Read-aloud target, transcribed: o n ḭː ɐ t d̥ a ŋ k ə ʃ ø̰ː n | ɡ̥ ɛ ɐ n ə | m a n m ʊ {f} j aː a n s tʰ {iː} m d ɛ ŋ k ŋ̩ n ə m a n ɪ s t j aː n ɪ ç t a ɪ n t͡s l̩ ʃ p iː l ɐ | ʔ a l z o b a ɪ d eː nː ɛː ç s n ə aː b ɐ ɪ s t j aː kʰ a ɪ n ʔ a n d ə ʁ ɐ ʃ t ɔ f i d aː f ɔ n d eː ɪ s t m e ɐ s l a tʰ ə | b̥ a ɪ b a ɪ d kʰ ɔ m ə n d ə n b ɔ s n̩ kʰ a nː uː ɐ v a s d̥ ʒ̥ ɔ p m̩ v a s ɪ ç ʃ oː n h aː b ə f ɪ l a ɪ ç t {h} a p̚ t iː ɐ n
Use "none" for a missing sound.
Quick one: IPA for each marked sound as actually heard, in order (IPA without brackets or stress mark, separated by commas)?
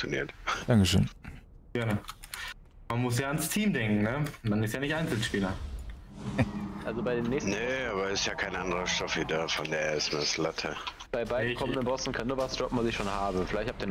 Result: s, iː, h